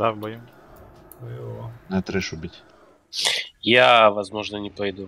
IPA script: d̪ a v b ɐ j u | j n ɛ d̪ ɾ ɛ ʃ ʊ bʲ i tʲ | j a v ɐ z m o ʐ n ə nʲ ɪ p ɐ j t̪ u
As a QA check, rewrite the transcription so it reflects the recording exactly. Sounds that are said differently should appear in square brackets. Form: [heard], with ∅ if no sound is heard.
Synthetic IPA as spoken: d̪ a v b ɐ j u | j n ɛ [t̪] ɾ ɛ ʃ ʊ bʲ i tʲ | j a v ɐ z m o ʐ n ə nʲ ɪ p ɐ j [d̪] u